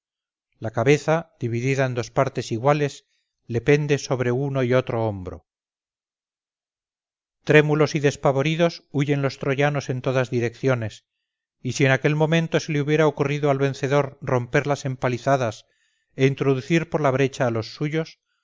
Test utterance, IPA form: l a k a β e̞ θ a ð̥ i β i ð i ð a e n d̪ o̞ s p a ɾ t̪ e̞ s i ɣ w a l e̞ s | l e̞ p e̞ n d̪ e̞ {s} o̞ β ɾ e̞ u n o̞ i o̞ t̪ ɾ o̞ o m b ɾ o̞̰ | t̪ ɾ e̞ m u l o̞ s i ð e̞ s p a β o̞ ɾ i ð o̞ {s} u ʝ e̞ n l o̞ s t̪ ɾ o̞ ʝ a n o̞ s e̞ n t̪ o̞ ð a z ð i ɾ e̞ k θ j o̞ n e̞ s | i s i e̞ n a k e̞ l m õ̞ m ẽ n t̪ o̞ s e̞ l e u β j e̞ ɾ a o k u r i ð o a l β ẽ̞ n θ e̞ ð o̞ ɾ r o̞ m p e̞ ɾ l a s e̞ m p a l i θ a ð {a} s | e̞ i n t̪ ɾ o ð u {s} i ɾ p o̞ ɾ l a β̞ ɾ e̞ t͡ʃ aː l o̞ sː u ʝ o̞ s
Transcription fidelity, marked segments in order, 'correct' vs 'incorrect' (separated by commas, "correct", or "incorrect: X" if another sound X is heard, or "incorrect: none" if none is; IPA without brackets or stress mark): correct, correct, correct, incorrect: θ